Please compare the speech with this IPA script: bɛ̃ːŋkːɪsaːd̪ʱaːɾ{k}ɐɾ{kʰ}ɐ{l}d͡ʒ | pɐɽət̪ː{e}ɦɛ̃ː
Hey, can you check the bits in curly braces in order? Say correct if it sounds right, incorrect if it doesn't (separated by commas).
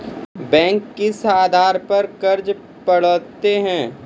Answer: incorrect, incorrect, incorrect, correct